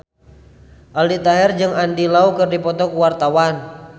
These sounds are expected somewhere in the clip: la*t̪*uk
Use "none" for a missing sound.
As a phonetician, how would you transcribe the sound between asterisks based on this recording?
none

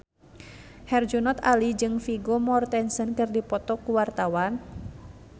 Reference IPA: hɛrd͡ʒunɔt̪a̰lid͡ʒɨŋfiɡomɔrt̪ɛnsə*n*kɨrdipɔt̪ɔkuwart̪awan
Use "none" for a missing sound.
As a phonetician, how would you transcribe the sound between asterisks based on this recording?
n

